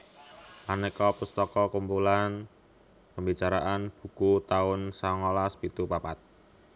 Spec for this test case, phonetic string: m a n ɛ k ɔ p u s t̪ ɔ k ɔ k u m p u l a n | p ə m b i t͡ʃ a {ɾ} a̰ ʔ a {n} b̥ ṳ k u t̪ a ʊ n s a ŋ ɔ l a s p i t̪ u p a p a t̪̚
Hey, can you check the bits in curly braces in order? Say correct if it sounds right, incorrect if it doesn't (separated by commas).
correct, correct